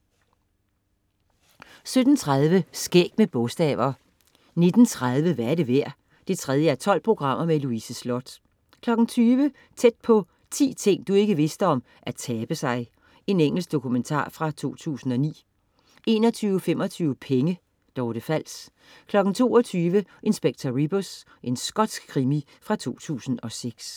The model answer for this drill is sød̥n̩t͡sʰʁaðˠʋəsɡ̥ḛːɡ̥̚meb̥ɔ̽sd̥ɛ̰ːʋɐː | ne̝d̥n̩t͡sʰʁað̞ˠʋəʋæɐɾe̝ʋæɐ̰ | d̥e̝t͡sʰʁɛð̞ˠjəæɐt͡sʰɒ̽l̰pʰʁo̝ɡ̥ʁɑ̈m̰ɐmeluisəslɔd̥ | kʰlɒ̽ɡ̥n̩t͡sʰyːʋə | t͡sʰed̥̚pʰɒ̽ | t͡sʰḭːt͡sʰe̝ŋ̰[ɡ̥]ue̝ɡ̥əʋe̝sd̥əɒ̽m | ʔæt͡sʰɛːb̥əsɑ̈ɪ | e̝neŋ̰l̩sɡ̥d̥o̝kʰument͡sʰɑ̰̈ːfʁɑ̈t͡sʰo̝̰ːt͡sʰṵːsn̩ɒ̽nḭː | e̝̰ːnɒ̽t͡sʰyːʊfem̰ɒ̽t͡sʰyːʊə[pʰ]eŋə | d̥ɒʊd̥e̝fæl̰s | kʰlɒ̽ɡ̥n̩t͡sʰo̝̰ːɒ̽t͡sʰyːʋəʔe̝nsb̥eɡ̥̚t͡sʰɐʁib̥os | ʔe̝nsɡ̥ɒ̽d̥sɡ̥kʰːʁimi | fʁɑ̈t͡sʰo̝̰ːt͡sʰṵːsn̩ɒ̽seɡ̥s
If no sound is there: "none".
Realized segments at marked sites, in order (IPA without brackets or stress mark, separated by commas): d̥, pʰ